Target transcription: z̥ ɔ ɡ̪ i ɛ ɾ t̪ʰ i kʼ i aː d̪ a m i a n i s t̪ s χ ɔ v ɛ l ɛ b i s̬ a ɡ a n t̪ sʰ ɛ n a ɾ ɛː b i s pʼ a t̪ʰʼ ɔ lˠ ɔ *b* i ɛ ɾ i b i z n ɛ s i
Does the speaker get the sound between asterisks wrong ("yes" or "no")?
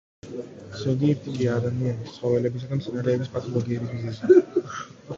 yes